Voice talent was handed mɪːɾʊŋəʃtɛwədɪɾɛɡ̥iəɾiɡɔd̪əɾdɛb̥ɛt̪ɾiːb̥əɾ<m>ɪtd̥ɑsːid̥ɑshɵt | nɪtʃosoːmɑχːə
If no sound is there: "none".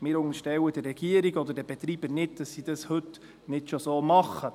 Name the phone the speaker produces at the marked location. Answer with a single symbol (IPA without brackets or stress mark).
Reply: n